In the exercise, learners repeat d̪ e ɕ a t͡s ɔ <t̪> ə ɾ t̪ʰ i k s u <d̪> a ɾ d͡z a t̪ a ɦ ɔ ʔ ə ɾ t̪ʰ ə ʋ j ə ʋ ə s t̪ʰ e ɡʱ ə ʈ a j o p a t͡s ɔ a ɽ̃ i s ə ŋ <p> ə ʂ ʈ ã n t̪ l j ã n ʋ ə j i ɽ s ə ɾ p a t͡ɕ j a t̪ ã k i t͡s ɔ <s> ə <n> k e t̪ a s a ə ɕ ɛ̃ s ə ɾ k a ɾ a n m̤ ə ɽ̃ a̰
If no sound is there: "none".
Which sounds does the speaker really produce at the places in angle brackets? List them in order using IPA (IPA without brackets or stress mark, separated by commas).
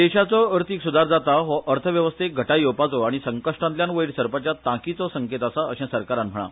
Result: none, d̪, k, s, ŋ